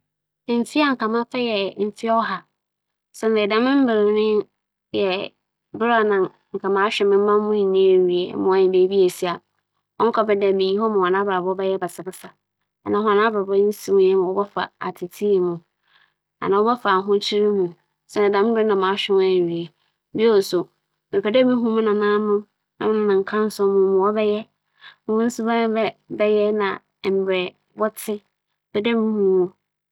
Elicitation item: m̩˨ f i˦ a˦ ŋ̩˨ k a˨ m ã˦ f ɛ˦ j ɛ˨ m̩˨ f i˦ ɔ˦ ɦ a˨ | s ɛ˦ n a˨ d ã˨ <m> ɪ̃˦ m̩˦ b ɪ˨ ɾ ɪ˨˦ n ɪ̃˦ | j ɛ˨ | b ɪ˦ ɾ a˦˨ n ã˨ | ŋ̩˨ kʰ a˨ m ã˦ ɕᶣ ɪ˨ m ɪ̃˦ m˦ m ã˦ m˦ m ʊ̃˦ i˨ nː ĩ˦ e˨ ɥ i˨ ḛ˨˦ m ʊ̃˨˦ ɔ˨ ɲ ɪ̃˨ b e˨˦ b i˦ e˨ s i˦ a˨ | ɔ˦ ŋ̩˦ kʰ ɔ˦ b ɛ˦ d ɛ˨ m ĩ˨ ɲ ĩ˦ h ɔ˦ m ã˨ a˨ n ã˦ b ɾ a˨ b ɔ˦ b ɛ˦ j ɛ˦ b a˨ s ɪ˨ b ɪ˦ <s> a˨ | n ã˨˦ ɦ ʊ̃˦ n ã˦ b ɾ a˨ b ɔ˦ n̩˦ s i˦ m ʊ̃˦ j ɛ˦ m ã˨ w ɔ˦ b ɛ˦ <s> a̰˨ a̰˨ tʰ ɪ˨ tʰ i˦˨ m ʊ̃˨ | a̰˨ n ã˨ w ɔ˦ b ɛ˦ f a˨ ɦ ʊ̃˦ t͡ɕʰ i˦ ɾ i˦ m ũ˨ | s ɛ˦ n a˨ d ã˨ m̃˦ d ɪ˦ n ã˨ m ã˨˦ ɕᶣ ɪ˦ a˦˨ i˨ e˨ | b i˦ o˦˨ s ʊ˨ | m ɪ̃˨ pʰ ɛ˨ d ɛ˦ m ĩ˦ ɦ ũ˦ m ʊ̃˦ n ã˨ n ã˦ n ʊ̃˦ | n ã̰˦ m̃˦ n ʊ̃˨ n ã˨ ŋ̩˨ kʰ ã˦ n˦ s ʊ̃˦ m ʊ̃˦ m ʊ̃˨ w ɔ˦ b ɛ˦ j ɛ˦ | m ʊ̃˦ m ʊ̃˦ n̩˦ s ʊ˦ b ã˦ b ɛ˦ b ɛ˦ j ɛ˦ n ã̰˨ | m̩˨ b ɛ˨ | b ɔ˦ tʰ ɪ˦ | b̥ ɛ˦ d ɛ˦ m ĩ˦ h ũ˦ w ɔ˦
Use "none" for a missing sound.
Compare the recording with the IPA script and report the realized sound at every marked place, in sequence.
m, s, f

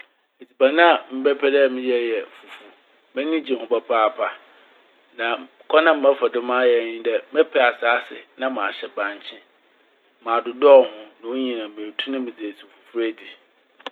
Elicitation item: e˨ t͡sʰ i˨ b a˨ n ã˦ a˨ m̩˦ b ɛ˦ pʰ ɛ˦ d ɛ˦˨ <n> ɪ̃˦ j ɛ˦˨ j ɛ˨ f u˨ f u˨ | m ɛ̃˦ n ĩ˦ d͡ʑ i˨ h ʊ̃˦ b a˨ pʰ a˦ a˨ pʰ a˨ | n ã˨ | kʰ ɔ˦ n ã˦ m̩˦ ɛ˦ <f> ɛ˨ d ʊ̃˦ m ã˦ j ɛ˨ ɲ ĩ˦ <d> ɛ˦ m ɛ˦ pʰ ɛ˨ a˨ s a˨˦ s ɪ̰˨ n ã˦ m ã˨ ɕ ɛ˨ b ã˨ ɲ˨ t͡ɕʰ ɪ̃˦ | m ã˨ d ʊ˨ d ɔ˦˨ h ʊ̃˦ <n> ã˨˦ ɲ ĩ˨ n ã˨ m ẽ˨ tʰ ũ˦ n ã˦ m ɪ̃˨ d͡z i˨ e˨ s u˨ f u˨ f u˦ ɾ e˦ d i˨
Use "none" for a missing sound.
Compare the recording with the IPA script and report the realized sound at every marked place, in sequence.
m, f, d, n

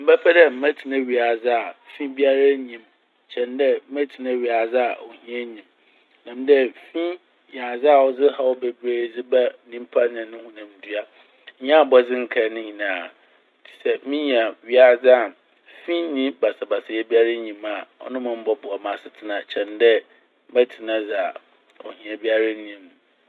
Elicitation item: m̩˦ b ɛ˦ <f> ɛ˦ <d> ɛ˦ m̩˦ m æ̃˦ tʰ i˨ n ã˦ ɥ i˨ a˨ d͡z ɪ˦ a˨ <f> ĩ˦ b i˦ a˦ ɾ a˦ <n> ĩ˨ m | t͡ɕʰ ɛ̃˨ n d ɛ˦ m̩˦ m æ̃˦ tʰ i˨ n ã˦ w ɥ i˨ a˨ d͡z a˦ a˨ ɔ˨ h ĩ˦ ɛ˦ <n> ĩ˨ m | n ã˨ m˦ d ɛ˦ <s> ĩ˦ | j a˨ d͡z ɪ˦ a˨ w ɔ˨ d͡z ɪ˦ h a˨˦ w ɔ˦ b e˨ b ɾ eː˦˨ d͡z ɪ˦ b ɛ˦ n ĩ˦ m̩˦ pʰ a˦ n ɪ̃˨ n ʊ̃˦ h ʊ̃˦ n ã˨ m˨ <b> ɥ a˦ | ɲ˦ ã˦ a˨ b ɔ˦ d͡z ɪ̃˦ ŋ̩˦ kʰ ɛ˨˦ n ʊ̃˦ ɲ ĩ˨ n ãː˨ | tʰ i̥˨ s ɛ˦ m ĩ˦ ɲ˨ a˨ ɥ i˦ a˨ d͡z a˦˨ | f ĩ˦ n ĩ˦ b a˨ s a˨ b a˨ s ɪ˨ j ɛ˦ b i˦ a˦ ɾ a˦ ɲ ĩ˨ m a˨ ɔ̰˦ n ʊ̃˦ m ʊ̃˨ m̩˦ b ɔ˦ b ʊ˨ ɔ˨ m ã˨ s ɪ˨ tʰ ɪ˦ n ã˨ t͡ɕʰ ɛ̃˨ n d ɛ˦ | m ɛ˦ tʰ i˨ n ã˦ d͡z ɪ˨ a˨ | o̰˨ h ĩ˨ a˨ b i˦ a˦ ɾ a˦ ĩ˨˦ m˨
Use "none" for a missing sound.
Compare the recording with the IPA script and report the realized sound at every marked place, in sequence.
f, d, f, ɲ, ɲ, f, d

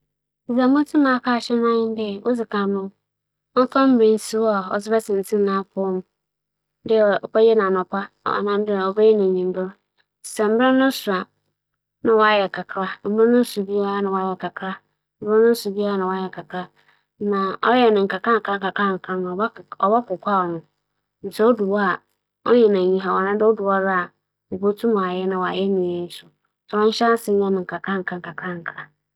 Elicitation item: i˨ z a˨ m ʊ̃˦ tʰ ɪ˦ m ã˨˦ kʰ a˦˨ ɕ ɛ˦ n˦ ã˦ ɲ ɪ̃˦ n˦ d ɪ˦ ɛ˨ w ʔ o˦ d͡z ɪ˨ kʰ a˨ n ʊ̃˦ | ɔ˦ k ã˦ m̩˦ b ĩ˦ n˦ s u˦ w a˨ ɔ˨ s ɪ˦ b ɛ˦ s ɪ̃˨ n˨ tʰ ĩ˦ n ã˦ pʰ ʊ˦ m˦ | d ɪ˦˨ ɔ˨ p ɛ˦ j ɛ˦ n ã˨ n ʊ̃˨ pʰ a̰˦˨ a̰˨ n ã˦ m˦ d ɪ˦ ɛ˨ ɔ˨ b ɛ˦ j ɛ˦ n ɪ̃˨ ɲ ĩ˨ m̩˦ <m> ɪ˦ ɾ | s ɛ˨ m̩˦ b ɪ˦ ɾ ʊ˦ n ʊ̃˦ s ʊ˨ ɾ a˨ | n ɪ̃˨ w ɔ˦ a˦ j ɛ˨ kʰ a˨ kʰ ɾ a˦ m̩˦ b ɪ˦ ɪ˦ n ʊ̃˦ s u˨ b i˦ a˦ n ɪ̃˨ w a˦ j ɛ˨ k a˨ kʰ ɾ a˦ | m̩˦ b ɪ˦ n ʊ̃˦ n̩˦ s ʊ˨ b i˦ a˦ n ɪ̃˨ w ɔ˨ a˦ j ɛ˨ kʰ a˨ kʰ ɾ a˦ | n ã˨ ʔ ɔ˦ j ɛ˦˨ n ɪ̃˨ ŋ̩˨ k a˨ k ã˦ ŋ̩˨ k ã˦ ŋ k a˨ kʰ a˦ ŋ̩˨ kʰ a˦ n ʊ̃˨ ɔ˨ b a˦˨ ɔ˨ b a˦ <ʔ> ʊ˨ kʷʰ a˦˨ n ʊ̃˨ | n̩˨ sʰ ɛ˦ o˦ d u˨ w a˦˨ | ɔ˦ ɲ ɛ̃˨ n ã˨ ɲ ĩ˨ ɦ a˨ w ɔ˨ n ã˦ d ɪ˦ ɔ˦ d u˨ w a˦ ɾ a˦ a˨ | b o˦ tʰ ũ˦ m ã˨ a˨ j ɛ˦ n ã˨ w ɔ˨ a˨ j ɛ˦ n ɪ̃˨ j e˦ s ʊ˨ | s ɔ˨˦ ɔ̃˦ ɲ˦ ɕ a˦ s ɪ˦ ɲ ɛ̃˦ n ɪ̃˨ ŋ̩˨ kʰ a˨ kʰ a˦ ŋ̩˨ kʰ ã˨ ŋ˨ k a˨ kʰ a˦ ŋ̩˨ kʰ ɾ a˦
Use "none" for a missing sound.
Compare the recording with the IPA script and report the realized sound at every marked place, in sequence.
b, k

